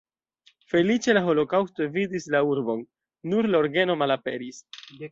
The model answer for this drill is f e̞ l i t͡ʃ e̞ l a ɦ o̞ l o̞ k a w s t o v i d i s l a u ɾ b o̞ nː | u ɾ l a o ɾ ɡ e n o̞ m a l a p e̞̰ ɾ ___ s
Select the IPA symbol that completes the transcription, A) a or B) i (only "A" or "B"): B